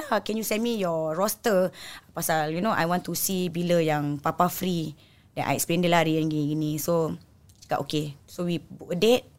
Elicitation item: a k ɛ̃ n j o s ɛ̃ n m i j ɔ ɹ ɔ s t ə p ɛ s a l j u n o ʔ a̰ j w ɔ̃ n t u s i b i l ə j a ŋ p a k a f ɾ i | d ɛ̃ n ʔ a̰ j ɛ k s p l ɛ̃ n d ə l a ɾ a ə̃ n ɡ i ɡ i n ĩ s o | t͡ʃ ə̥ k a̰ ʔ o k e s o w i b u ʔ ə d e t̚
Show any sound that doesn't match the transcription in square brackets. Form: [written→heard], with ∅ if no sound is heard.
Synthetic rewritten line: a k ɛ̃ n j [o→u] s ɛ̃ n m i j ɔ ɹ ɔ s t ə p [ɛ→a] s a l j u n o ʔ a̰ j w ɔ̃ n t u s i b i l ə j a ŋ p a [k→p] a f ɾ i | d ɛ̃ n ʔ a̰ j ɛ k s p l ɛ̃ n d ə l a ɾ [a→i] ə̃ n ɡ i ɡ i n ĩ s o | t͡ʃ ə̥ k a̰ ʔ o k e s o w i b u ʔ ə d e t̚